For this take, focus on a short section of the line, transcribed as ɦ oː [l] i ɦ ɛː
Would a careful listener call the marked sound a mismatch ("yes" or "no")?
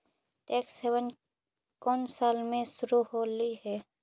no